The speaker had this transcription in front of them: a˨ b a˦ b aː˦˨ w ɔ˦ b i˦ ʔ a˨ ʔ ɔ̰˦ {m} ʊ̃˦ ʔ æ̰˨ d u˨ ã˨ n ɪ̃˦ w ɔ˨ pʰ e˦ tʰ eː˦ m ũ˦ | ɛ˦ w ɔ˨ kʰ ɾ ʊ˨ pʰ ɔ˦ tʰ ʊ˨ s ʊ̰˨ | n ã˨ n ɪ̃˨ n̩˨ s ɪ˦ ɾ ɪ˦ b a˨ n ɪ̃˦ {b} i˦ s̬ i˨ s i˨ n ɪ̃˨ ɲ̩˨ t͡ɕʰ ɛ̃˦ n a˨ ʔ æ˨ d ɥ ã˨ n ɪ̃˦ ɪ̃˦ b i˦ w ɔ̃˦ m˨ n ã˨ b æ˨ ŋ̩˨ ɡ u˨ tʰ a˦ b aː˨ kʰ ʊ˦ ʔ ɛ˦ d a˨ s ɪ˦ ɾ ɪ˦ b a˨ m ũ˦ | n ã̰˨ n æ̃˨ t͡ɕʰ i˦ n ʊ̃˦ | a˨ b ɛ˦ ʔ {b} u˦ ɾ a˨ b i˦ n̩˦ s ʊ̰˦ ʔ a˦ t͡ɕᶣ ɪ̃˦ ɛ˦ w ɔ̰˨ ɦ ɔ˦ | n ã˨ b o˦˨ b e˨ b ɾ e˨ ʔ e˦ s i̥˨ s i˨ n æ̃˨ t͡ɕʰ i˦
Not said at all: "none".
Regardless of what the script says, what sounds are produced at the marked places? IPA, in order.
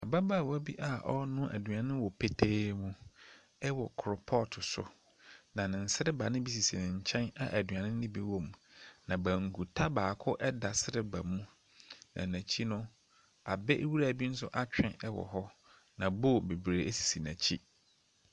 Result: n, b, w

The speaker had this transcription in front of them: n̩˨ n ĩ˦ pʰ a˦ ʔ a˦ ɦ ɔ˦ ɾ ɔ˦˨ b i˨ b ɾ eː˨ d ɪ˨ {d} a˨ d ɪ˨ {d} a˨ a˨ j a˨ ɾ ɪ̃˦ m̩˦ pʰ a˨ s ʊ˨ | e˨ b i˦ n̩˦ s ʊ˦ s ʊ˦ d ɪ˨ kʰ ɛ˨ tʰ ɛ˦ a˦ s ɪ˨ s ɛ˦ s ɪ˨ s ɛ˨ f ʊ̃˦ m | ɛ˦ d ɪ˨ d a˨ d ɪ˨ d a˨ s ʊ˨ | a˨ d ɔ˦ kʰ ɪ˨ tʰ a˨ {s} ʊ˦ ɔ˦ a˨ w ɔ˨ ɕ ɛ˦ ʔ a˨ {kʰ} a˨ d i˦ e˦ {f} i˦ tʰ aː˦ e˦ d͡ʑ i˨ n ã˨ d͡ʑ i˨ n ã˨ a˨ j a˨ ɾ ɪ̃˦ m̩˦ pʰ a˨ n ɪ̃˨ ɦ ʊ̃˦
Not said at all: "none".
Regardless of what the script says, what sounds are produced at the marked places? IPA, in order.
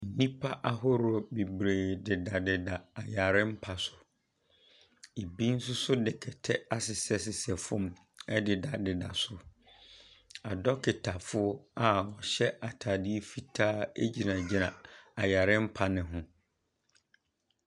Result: d, d, f, tʰ, f

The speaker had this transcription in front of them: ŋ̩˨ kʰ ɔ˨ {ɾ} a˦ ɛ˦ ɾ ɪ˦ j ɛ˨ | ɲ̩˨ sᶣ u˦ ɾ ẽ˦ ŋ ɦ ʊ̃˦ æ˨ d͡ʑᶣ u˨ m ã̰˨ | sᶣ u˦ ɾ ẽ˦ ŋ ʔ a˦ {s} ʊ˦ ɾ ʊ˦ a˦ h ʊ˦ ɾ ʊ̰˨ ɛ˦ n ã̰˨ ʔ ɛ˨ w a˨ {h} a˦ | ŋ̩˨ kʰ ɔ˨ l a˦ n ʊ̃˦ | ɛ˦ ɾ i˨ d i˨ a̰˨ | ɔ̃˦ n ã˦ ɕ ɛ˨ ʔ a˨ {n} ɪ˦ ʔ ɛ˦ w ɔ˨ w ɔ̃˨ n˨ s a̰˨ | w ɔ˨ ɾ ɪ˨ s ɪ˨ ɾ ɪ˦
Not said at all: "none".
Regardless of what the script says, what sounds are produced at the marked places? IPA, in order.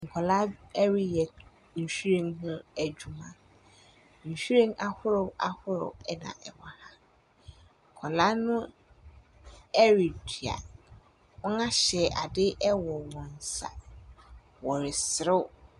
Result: l, h, h, d

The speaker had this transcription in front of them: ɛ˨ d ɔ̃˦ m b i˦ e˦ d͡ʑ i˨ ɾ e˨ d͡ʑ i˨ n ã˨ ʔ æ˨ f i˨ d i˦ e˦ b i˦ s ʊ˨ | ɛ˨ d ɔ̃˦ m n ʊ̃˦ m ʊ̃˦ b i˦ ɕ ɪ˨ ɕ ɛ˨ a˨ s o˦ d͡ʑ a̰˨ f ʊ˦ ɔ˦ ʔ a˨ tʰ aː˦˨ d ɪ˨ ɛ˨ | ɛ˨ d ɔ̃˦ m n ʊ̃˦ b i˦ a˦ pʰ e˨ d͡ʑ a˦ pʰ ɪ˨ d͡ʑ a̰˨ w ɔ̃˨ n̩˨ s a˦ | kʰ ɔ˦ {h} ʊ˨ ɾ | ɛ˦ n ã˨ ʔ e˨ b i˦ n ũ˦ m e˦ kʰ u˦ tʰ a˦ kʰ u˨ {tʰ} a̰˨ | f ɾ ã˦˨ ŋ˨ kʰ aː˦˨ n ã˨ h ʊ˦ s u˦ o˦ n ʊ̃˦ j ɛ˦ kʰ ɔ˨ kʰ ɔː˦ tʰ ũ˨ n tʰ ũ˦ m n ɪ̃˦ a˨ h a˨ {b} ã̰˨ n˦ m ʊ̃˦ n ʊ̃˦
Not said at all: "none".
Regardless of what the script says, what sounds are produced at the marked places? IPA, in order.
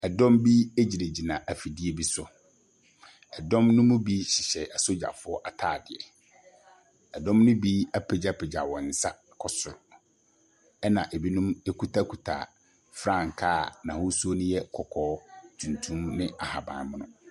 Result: s, tʰ, b

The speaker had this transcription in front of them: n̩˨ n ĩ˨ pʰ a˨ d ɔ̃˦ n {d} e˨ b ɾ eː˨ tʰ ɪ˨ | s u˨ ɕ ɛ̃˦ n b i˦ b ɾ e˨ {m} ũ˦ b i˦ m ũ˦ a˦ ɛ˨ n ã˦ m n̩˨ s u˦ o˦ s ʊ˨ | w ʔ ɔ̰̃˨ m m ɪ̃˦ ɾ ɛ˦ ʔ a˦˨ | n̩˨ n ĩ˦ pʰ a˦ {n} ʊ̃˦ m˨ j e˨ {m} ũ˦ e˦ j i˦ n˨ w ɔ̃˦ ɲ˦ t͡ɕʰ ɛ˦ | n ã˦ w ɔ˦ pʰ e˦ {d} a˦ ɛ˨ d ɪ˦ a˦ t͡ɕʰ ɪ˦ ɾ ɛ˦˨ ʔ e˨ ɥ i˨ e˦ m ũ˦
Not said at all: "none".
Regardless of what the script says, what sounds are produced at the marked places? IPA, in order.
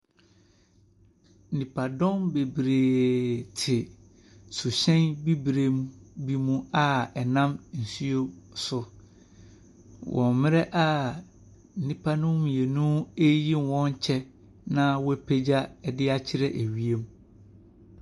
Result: b, m, n, n, d͡ʑ

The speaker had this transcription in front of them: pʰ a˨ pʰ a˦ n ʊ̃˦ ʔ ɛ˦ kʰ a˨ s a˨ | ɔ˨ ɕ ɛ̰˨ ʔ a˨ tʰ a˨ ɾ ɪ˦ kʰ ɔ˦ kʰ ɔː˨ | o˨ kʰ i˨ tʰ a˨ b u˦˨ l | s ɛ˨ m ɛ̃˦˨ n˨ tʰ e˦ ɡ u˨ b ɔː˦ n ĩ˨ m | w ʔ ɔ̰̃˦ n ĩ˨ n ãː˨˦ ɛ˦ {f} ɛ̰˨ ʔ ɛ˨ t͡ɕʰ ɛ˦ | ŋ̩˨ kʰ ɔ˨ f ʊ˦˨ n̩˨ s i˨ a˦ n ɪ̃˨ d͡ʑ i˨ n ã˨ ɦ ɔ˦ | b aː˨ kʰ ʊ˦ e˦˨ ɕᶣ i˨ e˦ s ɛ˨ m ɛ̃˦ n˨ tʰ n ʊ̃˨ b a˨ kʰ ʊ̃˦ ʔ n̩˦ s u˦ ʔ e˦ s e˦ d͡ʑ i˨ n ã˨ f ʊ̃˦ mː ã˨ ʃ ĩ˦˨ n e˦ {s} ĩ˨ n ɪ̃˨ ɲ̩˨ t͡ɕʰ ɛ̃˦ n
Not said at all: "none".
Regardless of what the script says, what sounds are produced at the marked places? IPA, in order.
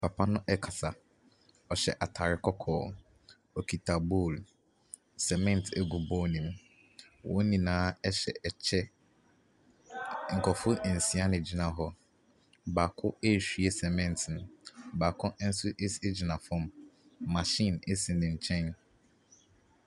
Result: ɕ, s

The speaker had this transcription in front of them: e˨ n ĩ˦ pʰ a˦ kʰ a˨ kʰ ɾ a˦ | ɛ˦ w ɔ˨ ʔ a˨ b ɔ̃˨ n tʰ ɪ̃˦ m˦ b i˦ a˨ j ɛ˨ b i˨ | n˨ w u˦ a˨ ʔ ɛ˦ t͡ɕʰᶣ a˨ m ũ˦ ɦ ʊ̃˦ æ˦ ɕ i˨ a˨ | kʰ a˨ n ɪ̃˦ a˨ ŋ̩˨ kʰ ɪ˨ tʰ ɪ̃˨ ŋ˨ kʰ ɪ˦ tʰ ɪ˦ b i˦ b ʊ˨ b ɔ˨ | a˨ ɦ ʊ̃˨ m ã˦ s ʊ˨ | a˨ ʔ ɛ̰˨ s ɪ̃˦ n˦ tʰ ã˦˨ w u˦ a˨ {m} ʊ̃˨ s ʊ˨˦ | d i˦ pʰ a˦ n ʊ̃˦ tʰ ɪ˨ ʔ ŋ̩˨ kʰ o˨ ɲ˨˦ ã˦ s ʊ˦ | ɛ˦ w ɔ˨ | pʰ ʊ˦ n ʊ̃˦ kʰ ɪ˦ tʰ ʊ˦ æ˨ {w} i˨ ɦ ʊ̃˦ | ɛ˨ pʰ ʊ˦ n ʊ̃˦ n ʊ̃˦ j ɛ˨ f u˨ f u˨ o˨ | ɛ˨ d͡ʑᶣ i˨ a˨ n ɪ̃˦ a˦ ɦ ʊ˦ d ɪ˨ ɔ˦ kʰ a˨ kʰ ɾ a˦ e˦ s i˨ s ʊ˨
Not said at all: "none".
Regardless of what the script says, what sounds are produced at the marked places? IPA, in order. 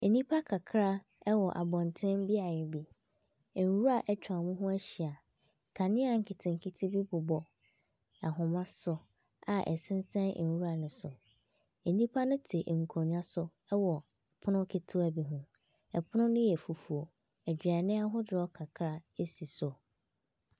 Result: n, b

